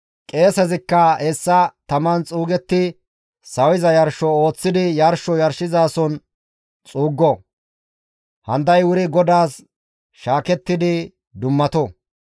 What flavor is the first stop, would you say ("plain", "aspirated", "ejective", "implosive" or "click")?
ejective